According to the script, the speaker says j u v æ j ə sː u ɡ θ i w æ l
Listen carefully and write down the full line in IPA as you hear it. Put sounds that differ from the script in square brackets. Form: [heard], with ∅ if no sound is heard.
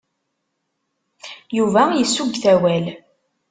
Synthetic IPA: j u v æ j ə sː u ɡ θ [æ] w æ l